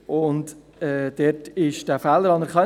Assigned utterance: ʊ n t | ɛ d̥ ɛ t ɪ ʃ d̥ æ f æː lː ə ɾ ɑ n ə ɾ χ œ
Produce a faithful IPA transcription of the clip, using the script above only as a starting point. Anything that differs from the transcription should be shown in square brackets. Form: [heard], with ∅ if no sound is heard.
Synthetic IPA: ʊ n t | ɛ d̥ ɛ t ɪ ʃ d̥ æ f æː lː ə ɾ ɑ n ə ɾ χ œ